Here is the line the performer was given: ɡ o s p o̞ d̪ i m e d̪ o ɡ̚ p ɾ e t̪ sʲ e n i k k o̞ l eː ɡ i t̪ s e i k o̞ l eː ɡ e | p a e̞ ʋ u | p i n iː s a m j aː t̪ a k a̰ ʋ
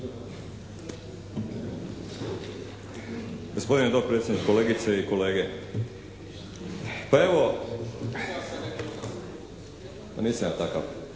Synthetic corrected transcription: ɡ o s p o̞ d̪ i n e d̪ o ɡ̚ p ɾ e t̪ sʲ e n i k k o̞ l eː ɡ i t̪ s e i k o̞ l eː ɡ e | p a e̞ ʋ o | p a n iː s a m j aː t̪ a k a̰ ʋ